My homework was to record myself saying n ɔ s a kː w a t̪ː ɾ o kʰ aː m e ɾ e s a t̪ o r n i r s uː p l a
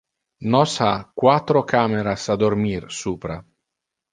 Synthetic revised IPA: n ɔ s a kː w a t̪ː ɾ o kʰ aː m e ɾ a s a d̪ o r m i r s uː p ɾ a